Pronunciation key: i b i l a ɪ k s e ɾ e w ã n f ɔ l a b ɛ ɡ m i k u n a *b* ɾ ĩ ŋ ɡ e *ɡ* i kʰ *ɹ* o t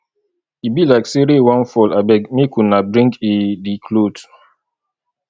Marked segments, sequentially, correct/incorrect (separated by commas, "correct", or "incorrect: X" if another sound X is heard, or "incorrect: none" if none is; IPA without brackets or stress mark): correct, incorrect: d, incorrect: l